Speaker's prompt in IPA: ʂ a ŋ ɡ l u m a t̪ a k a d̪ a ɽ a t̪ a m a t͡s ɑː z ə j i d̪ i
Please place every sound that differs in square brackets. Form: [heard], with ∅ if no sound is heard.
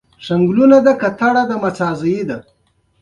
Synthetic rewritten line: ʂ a ŋ ɡ l u [n] a [d̪] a k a [t̪] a ɽ a [d̪] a m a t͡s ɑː z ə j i d̪ [a]